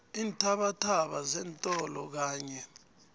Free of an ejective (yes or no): no